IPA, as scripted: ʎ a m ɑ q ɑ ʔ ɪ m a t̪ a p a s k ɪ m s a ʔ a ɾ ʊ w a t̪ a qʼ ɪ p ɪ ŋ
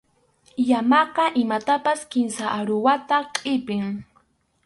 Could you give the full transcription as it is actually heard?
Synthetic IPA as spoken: j a m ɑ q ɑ ʔ ɪ m a t̪ a p a s k ɪ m s a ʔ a ɾ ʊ w a t̪ a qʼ ɪ p ɪ ŋ